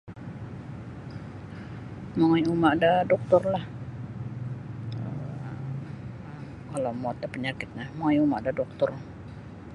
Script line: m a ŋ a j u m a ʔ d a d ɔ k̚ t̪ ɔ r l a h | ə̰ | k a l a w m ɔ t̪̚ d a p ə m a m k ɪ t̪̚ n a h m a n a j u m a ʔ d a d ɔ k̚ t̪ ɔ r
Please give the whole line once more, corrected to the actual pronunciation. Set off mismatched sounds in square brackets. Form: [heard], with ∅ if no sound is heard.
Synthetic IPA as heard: m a ŋ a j u m a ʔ d a d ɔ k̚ t̪ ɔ r l a h | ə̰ | k a l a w m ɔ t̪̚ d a p ə [ɲ] a [∅] k ɪ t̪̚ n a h m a [ŋ] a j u m a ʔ d a d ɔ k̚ t̪ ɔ r